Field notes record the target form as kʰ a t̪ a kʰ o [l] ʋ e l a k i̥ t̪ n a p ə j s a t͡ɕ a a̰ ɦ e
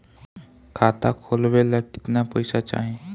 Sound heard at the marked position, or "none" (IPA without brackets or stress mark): l